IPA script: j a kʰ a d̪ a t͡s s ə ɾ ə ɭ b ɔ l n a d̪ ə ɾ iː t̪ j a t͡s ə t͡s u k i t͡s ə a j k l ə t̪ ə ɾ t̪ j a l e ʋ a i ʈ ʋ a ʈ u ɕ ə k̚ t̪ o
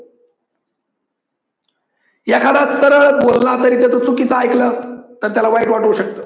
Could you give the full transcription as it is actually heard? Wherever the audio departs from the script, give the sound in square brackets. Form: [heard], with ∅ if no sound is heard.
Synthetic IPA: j a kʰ a d̪ a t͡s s ə ɾ ə ɭ b [o] l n a [t̪] ə ɾ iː t̪ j a t͡s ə t͡s u k i t͡s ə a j k l ə t̪ ə ɾ t̪ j a l [a] ʋ a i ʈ ʋ a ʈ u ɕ ə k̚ t̪ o